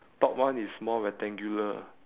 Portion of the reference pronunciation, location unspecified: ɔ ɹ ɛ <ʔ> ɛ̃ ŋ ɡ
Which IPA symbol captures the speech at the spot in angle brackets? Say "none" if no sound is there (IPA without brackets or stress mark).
t